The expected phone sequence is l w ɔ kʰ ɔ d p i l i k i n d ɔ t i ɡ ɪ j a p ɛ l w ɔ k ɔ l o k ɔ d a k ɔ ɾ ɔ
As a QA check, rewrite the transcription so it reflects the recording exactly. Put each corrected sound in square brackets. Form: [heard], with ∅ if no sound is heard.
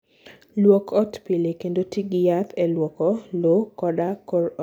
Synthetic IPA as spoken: l w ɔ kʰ ɔ [t] p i l [e] k [e] n d [o] t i ɡ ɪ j a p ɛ l w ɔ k ɔ l o k ɔ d a k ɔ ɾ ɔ

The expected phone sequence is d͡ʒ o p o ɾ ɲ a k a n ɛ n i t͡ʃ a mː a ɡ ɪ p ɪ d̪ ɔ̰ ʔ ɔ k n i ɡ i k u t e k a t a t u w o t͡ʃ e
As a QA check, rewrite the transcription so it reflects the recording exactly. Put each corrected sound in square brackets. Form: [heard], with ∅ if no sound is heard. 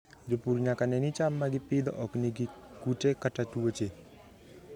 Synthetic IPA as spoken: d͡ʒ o p [u] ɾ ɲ a k a n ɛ n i t͡ʃ a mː a ɡ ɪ p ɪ d̪ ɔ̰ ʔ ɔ k n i ɡ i k u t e k a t a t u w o t͡ʃ e

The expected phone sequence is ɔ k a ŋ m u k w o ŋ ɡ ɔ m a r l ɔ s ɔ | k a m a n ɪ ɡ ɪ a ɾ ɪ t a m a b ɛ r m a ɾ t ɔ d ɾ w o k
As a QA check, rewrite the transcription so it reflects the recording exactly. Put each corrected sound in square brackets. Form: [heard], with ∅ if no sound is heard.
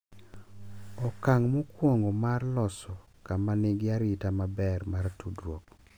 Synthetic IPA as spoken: ɔ k a ŋ m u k w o ŋ ɡ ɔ m a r l ɔ s ɔ | k a m a n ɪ ɡ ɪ a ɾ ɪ t a m a b ɛ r m a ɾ t [u] d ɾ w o k

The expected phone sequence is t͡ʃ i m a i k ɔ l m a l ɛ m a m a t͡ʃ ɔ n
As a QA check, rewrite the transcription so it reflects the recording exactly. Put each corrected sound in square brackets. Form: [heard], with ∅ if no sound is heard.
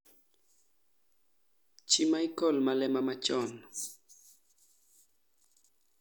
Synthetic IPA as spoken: t͡ʃ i m a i k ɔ l m a l ɛ m a m a t͡ʃ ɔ n

